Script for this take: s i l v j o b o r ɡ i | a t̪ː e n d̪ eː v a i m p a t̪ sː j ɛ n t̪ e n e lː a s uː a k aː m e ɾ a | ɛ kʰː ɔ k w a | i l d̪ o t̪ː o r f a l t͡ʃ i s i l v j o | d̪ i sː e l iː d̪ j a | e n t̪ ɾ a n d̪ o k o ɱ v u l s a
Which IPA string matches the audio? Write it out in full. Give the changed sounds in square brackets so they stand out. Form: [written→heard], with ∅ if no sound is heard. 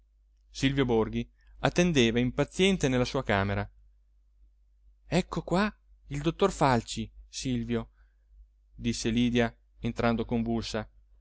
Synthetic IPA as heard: s i l v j o b o r ɡ i | a t̪ː e n d̪ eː v a i m p a t̪ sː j ɛ n t̪ e n e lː a s uː a k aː m e ɾ a | ɛ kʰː [ɔ→o] k w a | i l d̪ o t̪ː o r f a l t͡ʃ i s i l v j o | d̪ i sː e l iː d̪ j a | e n t̪ ɾ a n d̪ o k o ɱ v u l s a

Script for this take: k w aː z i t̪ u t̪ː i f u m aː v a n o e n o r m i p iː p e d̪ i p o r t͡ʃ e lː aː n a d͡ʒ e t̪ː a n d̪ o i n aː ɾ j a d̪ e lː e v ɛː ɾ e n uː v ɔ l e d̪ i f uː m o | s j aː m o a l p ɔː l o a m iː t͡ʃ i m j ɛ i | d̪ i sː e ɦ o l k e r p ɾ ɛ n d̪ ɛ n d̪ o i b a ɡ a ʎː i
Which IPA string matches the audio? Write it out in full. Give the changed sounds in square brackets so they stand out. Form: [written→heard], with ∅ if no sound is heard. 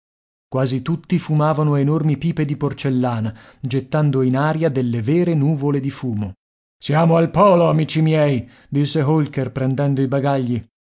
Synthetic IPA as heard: k w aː z i t̪ u t̪ː i f u m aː v a n o e n o r m i p iː p e d̪ i p o r t͡ʃ e lː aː n a d͡ʒ e t̪ː a n d̪ o i n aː ɾ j a d̪ e lː e v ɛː ɾ e n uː v [ɔ→o] l e d̪ i f uː m o | s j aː m o a l p ɔː l o a m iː t͡ʃ i m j ɛ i | d̪ i sː e ɦ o l k e r p ɾ ɛ n d̪ ɛ n d̪ o i b a ɡ a ʎː i

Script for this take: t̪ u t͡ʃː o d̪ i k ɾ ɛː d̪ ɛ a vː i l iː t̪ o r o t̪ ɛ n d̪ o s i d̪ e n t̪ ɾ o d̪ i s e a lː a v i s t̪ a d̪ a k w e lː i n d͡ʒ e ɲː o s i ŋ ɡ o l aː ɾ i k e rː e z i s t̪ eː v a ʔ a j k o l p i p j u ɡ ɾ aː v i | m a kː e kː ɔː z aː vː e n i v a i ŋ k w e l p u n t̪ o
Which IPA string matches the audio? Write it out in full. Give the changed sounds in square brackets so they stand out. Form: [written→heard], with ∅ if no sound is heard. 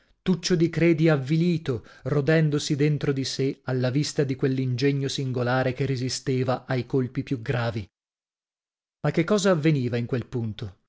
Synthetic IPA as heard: t̪ u t͡ʃː o d̪ i k ɾ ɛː d̪ [ɛ→i] a vː i l iː t̪ o r o [t̪→d̪] ɛ n d̪ o s i d̪ e n t̪ ɾ o d̪ i s e a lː a v i s t̪ a d̪ [a→i] k w e lː i n d͡ʒ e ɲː o s i ŋ ɡ o l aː ɾ [i→e] k e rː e z i s t̪ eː v a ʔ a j k o l p i p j u ɡ ɾ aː v i | m a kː e kː ɔː z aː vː e n [i→iː] v a i ŋ k w e l p u n t̪ o

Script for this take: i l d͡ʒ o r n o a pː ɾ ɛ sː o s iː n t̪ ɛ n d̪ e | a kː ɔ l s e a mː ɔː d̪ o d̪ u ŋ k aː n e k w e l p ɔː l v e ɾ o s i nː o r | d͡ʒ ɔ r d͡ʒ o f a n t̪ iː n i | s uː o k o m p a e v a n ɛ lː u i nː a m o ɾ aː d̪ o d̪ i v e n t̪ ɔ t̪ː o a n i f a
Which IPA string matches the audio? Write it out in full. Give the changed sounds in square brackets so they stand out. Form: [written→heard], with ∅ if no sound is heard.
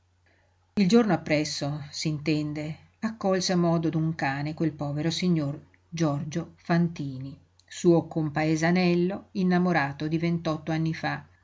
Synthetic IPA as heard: i l d͡ʒ o r n o a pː ɾ ɛ sː o s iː n t̪ ɛ n d̪ e | a kː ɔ l s e a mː ɔː d̪ o d̪ u ŋ k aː n e k w e l p ɔː [l→∅] v e ɾ o s i [nː→ɲː] o r | d͡ʒ ɔ r d͡ʒ o f a n t̪ iː n i | s uː o k o m p a e [v→z] a n ɛ lː [u→o] i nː a m o ɾ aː [d̪→t̪] o d̪ i v e n t̪ ɔ t̪ː o a [n→nː] i f a

